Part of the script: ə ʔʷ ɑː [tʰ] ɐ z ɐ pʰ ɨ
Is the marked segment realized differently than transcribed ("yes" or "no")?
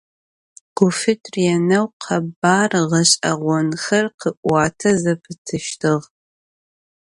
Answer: no